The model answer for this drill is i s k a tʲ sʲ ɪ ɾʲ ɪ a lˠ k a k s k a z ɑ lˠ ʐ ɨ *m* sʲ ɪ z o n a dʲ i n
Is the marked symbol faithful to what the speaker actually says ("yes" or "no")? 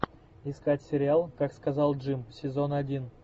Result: yes